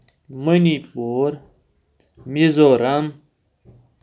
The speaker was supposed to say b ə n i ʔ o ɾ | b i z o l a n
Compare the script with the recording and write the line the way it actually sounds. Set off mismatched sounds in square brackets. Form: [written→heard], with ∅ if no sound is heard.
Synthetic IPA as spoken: [b→m] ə n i [ʔ→p] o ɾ | [b→m] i z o [l→ɾ] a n

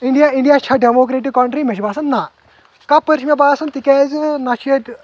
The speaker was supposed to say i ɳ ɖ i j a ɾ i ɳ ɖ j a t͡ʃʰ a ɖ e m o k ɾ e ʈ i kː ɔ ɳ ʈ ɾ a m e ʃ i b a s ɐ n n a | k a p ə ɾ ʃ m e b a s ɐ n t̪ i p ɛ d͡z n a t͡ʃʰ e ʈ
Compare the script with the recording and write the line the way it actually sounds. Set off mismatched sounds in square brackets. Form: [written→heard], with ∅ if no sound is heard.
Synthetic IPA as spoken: i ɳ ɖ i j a [ɾ→∅] i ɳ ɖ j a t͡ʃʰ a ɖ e m o k ɾ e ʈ i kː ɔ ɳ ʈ ɾ [a→i] m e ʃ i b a s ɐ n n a | k a p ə ɾ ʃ m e b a s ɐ n t̪ i [p→k] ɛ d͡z n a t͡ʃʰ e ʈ

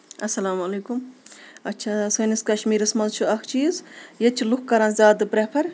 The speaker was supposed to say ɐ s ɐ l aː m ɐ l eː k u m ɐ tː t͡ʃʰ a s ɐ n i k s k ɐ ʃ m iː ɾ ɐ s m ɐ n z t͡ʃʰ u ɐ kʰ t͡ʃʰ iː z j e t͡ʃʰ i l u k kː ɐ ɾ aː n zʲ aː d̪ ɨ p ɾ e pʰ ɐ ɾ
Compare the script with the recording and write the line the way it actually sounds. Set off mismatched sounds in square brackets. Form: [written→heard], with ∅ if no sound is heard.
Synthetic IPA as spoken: ɐ s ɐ l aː m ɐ l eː k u m ɐ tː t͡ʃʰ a s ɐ n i [k→∅] s k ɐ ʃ m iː ɾ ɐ s m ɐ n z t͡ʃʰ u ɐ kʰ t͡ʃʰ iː z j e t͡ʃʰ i l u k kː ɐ ɾ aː n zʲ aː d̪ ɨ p ɾ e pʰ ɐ ɾ

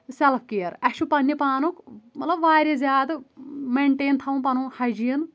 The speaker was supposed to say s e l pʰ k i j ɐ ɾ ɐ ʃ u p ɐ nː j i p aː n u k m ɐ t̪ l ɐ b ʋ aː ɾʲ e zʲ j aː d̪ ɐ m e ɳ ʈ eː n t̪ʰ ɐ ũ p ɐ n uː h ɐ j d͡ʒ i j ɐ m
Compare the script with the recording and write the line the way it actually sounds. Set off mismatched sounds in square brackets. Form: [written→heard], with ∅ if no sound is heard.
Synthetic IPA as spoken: s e l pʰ k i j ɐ ɾ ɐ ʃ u p ɐ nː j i p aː n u k m ɐ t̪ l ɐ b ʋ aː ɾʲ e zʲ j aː d̪ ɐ m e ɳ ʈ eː n t̪ʰ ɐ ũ p ɐ n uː h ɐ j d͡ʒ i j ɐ [m→n]

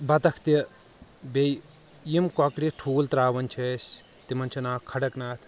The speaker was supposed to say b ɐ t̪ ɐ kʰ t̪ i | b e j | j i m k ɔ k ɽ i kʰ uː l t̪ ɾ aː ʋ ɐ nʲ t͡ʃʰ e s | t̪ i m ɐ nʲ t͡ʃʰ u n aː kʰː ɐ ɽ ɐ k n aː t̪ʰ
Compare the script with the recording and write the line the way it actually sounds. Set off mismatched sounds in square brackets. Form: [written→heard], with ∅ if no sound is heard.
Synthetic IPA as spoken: b ɐ t̪ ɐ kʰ t̪ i | b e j | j i m k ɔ k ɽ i [kʰ→ʈʰ] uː l t̪ ɾ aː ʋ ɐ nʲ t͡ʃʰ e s | t̪ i m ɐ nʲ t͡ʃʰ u n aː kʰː ɐ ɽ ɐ k n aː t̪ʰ

